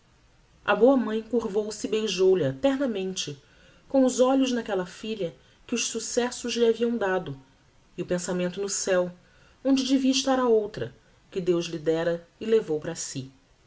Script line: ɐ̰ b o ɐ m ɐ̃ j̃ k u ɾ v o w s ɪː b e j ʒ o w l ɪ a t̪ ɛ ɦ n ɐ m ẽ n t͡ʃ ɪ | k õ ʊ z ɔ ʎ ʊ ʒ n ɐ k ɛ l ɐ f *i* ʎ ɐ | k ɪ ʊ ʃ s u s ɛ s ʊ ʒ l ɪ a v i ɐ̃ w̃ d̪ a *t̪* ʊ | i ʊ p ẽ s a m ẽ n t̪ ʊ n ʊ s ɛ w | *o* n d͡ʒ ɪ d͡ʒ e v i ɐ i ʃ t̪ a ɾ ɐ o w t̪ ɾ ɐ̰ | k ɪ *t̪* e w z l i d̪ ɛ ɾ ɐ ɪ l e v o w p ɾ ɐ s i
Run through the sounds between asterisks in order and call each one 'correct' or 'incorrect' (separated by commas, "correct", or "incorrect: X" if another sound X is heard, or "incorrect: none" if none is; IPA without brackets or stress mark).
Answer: correct, incorrect: d̪, incorrect: õ, incorrect: d̪